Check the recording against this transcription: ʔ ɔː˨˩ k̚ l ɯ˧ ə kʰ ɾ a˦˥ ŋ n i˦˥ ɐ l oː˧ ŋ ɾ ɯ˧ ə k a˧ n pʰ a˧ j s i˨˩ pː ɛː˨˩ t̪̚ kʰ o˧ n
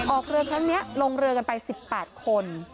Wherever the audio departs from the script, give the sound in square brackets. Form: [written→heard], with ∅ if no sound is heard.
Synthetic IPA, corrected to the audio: ʔ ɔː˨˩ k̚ [l→ɾ] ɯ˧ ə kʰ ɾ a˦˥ ŋ n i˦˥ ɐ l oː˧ ŋ ɾ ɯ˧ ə k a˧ n [pʰ→p] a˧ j s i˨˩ pː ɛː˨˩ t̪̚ kʰ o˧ n

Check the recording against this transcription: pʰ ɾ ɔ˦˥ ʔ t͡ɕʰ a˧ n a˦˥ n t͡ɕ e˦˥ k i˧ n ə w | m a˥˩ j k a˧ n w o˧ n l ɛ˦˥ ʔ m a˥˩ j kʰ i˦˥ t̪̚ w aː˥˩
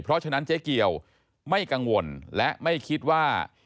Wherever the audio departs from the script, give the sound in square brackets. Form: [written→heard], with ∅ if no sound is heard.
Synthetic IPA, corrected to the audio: pʰ ɾ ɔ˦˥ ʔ t͡ɕʰ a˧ n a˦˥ n t͡ɕ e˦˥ k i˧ [n→∅] ə w | m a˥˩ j k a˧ [n→ŋ] w o˧ n l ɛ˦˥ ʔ m a˥˩ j kʰ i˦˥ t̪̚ w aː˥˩

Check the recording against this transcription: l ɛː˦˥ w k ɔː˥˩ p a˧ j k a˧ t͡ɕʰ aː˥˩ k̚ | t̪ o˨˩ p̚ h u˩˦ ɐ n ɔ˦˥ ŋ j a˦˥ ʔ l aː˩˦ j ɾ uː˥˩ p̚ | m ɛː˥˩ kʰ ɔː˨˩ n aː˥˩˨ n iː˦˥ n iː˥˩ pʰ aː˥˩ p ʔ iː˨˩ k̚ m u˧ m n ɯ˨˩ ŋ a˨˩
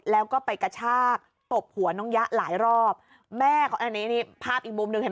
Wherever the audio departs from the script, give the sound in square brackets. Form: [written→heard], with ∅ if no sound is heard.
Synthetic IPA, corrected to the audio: l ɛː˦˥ w k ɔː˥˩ p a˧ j k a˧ t͡ɕʰ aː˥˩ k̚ | t̪ o˨˩ p̚ h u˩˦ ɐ n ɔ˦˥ ŋ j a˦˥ ʔ l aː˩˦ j ɾ [uː˥˩→ɔː˥˩] p̚ | m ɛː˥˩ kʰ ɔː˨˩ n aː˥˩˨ n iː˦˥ n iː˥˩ pʰ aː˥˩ p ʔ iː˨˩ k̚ m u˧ m n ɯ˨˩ ŋ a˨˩

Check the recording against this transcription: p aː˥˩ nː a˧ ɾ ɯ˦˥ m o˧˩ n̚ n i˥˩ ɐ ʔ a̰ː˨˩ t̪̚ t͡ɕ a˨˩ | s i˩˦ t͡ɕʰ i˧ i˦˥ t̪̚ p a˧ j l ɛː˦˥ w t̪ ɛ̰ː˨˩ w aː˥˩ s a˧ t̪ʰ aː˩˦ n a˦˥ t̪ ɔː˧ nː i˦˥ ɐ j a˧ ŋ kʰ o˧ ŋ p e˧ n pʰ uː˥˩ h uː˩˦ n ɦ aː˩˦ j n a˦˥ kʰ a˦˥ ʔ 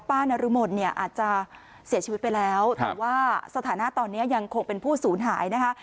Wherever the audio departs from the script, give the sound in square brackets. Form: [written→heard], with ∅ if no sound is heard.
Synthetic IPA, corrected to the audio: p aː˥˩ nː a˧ ɾ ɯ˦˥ m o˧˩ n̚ n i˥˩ ɐ ʔ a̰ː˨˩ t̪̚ t͡ɕ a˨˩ | s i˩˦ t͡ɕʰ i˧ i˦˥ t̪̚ p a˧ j l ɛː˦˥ w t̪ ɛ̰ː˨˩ w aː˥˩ s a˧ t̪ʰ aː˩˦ n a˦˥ t̪ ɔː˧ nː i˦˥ ɐ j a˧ ŋ kʰ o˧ ŋ p e˧ n pʰ uː˥˩ [h→s] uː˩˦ n ɦ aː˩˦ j n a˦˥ kʰ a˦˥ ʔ

